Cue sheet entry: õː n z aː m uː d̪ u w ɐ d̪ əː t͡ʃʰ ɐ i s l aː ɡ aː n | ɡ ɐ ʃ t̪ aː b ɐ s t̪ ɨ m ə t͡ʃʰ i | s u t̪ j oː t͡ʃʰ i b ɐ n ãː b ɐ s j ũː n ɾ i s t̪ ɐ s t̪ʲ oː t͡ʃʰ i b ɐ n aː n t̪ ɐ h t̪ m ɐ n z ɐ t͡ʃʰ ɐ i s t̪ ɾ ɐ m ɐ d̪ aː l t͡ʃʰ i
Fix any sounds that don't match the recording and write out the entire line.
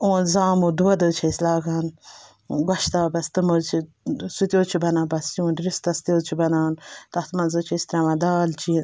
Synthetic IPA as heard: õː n z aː m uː d̪ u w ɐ d̪ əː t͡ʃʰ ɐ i s l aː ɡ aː n | ɡ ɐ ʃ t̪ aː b ɐ s t̪ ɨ m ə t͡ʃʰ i | s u t̪ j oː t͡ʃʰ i b ɐ n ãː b ɐ s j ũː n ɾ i s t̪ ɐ s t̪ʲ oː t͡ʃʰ i b ɐ n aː n t̪ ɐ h t̪ m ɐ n z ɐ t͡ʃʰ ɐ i s t̪ ɾ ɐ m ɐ d̪ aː l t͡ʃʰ i